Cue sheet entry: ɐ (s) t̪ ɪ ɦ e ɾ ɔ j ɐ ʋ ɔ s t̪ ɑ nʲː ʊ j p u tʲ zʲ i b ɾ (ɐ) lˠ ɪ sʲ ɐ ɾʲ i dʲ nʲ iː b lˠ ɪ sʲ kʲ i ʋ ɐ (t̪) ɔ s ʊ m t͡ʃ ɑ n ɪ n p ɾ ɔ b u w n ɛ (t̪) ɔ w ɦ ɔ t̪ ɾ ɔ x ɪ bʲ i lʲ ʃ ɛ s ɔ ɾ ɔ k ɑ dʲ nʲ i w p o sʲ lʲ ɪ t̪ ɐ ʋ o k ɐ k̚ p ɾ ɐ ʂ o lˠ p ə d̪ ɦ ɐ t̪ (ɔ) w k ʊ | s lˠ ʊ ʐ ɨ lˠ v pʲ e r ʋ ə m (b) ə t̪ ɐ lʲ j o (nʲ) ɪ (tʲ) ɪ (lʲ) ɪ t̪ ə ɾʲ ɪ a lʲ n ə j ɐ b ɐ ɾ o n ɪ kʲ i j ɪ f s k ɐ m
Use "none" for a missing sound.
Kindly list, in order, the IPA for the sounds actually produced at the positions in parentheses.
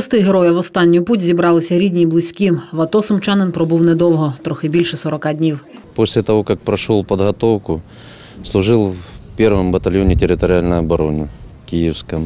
s, ɑ, t̪, d̪, o, b, nʲ, tʲ, ɾʲ

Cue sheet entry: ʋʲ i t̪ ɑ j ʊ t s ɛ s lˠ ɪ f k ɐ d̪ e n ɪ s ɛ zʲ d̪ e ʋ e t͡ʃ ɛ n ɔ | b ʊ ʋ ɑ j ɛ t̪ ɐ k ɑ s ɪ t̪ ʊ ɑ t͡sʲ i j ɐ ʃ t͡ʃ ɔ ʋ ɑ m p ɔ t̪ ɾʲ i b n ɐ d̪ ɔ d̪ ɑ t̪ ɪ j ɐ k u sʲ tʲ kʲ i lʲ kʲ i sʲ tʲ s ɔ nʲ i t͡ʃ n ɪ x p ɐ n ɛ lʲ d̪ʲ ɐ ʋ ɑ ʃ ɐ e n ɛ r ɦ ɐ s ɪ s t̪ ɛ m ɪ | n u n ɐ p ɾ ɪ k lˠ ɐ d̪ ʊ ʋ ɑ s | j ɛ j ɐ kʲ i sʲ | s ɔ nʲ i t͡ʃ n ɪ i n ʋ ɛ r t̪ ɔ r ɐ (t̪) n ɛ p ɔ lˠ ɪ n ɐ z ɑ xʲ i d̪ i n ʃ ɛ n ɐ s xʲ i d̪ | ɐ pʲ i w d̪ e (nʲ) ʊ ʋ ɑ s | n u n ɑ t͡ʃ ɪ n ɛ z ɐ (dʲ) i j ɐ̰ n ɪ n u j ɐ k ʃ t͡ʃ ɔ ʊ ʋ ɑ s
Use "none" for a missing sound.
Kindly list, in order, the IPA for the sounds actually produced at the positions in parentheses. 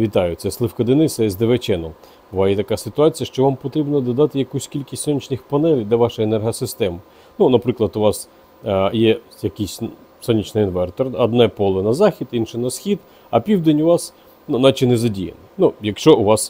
d̪, nʲ, dʲ

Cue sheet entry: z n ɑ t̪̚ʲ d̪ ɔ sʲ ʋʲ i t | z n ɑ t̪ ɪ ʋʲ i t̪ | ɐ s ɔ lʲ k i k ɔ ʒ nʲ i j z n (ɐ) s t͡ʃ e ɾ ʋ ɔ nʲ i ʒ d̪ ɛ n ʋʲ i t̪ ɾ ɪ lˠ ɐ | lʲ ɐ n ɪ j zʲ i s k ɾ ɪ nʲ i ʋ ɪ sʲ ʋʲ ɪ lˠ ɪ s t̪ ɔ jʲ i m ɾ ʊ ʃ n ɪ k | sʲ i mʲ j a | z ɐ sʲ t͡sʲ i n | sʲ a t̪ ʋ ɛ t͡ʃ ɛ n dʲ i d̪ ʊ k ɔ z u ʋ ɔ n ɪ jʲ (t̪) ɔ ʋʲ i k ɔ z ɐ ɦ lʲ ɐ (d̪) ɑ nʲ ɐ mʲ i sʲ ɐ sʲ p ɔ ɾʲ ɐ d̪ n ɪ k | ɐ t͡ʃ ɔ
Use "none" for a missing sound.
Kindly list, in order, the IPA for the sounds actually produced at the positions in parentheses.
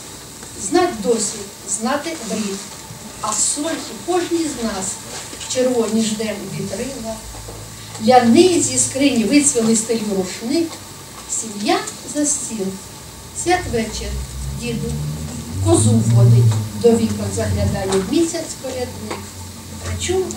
ɑ, d̪, d̪

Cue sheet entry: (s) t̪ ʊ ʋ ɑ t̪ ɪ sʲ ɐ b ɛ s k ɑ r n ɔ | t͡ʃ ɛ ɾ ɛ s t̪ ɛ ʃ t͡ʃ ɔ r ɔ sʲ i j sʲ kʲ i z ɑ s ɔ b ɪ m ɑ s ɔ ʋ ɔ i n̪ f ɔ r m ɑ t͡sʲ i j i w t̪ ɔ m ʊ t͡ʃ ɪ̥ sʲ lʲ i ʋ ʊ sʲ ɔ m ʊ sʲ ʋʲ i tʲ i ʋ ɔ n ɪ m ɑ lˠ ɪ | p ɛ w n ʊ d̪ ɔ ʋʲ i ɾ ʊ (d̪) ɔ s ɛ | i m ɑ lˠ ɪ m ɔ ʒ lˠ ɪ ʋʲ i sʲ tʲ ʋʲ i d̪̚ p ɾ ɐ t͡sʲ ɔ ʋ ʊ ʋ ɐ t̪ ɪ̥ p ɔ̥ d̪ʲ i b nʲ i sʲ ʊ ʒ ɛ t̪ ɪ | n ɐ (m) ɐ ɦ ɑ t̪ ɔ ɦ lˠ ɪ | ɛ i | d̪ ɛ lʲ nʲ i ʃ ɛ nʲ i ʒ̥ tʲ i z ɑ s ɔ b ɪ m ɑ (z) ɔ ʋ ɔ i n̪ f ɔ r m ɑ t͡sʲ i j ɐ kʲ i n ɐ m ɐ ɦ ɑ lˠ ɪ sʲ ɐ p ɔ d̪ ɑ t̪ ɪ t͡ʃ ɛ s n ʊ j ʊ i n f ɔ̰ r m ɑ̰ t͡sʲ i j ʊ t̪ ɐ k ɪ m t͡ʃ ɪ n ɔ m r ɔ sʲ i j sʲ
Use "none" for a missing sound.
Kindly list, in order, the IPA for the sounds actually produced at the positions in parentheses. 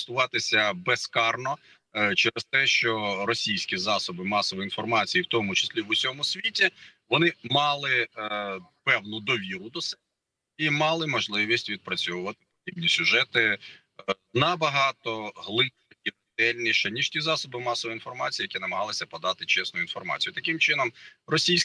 s, d̪, b, s

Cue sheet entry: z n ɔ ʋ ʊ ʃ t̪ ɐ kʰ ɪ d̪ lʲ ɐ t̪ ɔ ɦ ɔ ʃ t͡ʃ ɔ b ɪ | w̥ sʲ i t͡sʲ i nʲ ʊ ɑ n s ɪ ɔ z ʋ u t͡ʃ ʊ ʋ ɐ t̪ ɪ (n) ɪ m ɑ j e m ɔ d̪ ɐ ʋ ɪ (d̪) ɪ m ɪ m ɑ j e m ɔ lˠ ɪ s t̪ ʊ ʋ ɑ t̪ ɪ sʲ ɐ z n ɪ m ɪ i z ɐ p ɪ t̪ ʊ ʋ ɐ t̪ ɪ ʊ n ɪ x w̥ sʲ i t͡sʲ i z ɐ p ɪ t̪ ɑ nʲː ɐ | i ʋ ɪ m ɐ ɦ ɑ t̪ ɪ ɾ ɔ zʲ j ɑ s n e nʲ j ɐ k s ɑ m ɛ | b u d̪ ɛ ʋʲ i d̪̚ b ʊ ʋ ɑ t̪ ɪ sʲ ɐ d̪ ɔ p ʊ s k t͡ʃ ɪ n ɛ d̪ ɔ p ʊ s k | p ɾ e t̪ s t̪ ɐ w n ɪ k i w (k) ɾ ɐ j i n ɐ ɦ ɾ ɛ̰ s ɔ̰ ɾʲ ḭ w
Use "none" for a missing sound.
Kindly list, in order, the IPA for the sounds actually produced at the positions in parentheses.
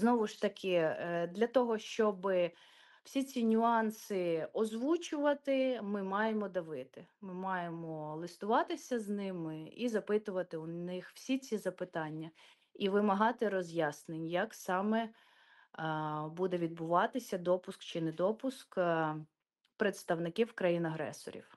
m, t̪, k

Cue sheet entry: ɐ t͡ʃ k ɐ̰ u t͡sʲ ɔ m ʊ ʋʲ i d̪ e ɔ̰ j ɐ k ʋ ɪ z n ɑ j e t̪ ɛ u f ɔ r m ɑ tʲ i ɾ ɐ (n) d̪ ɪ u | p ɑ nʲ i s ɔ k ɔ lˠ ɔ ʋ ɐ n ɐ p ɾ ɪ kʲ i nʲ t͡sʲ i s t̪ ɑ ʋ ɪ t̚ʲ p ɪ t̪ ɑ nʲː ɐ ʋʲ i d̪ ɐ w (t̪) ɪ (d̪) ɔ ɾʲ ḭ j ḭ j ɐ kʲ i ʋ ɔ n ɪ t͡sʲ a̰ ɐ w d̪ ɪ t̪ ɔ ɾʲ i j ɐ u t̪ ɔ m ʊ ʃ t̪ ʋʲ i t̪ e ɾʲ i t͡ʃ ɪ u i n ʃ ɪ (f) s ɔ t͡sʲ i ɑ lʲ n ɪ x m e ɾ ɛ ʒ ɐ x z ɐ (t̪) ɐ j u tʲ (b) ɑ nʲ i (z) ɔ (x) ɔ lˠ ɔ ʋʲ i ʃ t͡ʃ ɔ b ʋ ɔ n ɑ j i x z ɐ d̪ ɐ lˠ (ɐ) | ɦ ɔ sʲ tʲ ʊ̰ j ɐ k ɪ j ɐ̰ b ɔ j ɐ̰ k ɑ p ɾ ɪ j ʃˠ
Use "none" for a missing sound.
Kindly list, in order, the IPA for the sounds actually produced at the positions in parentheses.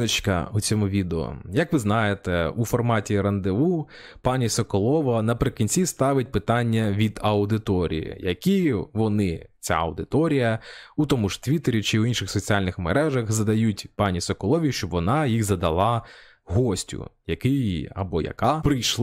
n, d̪, t̪, x, d̪, p, s, k, ɑ

